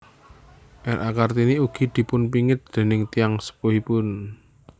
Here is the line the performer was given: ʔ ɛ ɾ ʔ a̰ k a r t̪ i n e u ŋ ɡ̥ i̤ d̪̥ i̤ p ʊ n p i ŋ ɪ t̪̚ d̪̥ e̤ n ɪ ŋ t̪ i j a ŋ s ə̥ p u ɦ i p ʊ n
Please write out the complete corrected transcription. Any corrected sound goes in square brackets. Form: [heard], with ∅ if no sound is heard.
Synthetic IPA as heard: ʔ ɛ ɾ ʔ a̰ k a r t̪ i n [i] u [∅] ɡ̥ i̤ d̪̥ i̤ p ʊ n p i ŋ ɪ t̪̚ d̪̥ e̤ n ɪ ŋ t̪ i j a ŋ s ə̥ p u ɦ i p ʊ n